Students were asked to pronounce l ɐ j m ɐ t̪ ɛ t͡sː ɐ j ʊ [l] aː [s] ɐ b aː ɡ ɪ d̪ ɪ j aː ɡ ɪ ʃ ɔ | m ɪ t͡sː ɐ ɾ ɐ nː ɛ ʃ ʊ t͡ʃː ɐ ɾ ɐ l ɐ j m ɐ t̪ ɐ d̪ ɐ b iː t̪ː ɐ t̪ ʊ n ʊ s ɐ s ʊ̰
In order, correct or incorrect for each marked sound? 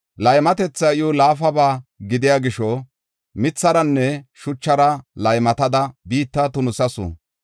correct, incorrect: f

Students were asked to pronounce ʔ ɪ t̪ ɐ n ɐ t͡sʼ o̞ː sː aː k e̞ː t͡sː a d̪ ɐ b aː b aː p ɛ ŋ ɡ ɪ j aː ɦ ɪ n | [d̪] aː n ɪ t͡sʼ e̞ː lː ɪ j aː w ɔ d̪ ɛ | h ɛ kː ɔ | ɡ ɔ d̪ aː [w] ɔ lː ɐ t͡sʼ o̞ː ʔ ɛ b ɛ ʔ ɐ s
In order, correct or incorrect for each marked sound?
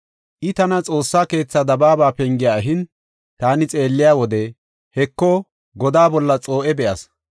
incorrect: t̪, incorrect: b

